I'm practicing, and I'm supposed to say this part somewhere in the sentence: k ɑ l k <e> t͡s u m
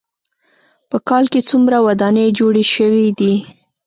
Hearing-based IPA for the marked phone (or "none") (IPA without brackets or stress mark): e